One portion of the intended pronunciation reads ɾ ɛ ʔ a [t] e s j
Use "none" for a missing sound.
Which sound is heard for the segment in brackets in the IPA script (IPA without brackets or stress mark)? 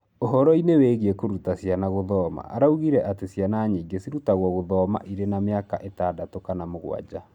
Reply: t